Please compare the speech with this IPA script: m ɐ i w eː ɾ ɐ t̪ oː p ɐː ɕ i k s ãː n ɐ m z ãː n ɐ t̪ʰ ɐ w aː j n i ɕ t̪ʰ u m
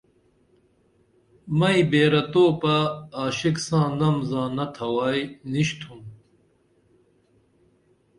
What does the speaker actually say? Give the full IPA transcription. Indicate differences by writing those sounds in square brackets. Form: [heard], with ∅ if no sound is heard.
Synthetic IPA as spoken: m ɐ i [b] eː ɾ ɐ t̪ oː p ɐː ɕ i k s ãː n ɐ m z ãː n ɐ t̪ʰ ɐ w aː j n i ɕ t̪ʰ u m